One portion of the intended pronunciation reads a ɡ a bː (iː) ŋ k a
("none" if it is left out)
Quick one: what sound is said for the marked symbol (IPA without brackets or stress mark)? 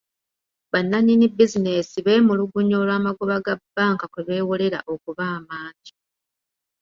aː